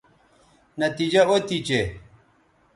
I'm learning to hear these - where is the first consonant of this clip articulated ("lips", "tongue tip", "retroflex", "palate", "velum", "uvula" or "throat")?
tongue tip